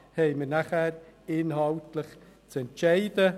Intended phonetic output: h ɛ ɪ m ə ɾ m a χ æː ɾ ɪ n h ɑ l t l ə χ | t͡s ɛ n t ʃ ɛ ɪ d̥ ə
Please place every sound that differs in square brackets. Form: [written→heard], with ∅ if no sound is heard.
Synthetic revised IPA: h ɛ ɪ m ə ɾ [m→n] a χ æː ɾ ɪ n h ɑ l t l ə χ | t͡s ɛ n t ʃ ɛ ɪ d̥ ə